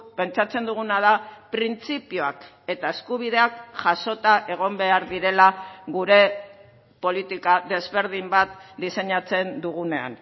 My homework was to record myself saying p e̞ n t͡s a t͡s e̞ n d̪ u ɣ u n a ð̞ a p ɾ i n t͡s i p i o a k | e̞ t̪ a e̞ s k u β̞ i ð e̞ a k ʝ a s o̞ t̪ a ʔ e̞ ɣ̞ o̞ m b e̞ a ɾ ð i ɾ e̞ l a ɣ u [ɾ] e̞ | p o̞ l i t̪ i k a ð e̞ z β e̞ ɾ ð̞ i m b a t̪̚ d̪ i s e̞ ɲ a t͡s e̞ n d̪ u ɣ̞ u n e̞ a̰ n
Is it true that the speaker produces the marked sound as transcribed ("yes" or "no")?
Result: yes